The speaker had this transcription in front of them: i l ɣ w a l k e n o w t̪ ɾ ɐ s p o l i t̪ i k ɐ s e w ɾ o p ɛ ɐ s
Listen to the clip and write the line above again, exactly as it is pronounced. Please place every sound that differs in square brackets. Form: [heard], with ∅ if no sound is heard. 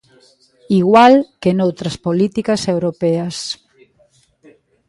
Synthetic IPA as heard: i [∅] ɣ w a l k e n o w t̪ ɾ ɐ s p o l i t̪ i k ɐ s e w ɾ o p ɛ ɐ s